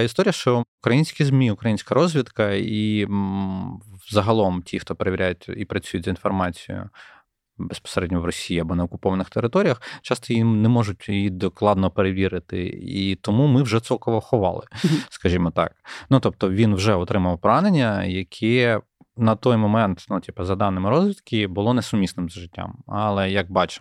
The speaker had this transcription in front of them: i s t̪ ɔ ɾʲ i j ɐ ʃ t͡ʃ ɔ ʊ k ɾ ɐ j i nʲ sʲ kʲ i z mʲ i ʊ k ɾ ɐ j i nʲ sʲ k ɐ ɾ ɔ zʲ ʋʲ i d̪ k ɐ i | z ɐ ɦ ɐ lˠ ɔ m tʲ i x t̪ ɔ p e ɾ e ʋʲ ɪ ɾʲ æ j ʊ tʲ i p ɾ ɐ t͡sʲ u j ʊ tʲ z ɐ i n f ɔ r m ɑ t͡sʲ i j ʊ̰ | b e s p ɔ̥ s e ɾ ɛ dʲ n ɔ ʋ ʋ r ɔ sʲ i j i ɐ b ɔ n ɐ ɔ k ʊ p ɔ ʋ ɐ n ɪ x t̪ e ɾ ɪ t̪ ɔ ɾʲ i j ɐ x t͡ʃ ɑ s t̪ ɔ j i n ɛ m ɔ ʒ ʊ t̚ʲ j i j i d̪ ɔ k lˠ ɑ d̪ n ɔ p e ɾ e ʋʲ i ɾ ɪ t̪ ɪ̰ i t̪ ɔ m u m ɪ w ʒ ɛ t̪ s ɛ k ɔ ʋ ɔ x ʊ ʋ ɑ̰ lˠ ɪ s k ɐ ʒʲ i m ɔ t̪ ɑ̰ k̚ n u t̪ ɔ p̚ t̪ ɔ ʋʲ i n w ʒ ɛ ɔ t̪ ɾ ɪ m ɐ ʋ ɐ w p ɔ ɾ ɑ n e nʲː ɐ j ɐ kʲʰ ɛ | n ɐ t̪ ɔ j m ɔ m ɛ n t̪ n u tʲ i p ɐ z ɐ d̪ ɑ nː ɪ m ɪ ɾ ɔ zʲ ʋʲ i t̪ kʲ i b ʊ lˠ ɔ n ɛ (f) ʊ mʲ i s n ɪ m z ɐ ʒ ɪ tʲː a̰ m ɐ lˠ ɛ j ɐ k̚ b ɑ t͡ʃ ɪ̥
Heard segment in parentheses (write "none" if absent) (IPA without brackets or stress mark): s